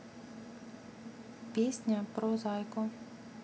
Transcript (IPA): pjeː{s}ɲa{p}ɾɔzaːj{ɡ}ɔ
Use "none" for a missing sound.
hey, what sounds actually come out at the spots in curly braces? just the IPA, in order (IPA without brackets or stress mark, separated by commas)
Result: s, p, k